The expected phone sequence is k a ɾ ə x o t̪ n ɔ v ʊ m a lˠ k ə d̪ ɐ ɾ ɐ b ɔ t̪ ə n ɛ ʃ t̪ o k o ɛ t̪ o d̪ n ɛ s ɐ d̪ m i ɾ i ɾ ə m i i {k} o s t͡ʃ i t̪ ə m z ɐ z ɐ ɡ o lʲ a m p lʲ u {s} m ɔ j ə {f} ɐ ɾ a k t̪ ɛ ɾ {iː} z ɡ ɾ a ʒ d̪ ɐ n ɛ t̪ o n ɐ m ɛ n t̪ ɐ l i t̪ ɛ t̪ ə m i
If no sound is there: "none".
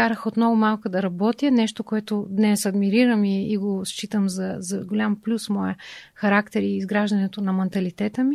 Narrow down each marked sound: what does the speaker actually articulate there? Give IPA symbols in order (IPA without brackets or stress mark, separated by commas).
ɡ, s, x, iː